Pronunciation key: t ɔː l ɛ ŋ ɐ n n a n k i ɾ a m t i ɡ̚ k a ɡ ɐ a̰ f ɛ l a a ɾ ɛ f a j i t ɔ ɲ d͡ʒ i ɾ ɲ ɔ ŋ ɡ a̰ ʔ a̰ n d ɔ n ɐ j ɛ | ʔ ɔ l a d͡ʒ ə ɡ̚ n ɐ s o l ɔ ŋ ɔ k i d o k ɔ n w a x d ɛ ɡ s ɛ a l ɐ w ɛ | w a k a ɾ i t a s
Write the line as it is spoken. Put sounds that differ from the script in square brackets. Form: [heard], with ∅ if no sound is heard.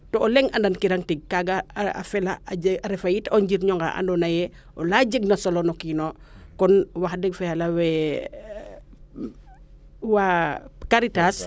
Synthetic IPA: t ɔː l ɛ ŋ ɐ n [d] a n k i ɾ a [ŋ] t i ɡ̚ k a ɡ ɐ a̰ f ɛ l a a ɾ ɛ f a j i t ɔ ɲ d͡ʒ i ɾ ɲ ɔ ŋ ɡ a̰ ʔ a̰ n d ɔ n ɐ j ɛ | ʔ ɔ l a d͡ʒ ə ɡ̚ n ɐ s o l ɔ [n] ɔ k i [n] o k ɔ n w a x d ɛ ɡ [f] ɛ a l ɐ w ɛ | w a k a ɾ i t a s